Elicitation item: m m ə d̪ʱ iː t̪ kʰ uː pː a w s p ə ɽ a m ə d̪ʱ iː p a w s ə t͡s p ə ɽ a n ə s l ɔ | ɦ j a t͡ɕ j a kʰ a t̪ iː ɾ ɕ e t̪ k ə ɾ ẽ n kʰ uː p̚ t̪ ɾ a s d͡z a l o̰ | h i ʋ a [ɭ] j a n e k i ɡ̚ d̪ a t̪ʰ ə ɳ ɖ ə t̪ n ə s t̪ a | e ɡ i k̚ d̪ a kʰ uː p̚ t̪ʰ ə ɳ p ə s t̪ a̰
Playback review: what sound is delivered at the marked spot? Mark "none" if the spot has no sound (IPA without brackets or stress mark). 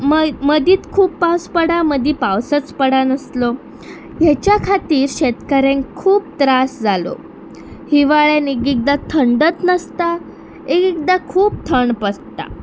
ɭ